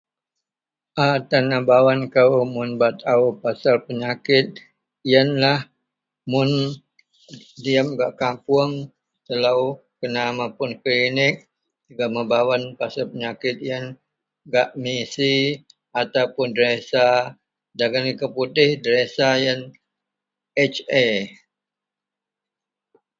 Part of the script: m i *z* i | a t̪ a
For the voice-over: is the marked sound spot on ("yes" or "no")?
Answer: no